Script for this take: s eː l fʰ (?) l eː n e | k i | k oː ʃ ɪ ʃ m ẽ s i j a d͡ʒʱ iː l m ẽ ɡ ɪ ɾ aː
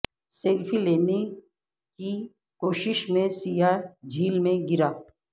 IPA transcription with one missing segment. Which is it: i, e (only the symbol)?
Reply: i